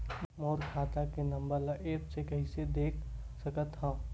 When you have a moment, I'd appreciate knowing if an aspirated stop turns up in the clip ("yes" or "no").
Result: yes